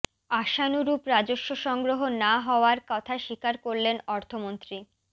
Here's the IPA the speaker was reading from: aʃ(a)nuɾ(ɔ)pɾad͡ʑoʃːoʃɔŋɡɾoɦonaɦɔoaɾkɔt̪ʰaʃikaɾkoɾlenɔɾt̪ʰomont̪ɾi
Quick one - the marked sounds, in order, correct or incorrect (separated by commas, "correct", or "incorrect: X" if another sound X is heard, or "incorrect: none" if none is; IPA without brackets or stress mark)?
correct, incorrect: u